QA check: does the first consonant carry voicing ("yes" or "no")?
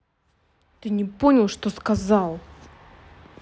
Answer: no